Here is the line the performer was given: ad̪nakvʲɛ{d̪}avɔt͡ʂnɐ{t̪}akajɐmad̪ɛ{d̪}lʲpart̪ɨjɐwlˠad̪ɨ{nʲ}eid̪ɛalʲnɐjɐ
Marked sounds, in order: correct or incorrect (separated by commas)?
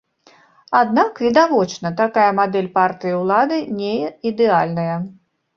correct, correct, incorrect, correct